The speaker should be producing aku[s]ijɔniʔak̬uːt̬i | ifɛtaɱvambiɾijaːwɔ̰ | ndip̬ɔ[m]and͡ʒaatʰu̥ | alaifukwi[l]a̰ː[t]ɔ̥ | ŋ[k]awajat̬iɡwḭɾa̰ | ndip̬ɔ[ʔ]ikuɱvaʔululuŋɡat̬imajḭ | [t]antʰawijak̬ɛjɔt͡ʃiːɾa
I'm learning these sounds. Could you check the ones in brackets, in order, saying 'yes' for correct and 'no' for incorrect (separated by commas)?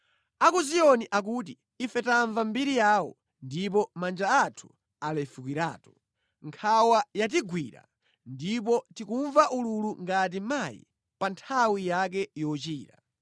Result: no, yes, no, yes, no, no, no